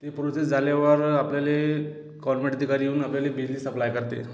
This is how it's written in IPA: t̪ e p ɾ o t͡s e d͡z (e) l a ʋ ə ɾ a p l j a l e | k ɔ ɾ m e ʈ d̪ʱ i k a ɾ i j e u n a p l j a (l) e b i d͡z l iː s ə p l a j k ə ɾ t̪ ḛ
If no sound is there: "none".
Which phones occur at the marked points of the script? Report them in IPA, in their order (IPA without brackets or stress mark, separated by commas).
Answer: a, l